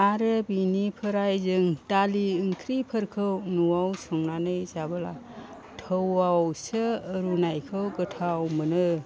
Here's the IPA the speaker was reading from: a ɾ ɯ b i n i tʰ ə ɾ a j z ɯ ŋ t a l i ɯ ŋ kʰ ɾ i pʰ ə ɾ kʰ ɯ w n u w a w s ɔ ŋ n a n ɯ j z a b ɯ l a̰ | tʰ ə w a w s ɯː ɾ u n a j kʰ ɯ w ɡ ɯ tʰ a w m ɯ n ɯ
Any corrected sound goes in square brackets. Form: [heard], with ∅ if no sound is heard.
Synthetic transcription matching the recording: a ɾ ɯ b i n i [pʰ] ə ɾ a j z ɯ ŋ t a l i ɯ ŋ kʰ ɾ i pʰ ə ɾ kʰ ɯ w n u w a w s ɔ ŋ n a n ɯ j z a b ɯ l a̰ | tʰ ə w a w s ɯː ɾ u n a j kʰ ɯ w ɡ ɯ tʰ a w m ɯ n ɯ